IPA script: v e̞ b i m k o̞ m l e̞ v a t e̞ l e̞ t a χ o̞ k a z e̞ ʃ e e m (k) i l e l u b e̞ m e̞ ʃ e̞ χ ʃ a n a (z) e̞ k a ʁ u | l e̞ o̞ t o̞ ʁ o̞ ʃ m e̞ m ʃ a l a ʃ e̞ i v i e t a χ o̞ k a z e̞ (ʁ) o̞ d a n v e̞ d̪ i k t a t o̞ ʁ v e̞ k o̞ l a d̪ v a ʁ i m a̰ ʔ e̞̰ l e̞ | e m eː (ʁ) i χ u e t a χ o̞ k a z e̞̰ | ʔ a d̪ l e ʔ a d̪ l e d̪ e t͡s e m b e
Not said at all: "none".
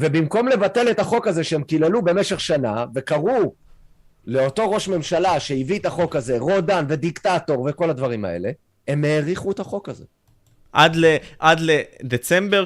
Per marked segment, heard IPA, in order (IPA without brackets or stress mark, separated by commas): k, v, ʁ, ʁ